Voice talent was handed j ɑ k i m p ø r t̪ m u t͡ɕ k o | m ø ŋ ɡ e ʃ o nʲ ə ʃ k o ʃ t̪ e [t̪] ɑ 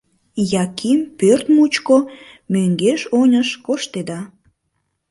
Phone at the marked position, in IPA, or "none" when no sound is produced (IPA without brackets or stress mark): d̪